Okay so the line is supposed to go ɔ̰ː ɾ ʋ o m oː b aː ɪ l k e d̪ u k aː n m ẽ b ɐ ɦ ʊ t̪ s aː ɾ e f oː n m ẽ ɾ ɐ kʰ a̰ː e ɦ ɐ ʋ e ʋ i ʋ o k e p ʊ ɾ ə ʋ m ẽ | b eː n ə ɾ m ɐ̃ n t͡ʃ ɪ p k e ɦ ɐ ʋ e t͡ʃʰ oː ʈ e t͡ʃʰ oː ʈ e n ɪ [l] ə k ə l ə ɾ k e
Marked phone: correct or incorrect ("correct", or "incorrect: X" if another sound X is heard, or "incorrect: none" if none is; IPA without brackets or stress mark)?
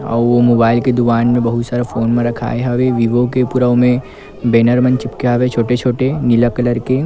correct